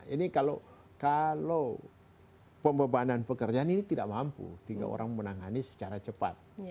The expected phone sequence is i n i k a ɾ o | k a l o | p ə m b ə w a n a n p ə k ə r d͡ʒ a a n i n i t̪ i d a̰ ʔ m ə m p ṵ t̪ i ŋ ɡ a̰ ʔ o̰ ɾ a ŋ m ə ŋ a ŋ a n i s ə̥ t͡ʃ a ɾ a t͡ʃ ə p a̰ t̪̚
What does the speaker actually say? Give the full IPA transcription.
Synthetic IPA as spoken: i n i k a l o | k a l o | p ə m b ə b a n a n p ə k ə r d͡ʒ a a n i n i t̪ i d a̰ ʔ m a m p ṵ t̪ i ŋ ɡ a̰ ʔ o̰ ɾ a ŋ m ə n a ŋ a n i s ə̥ t͡ʃ a ɾ a t͡ʃ ə p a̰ t̪̚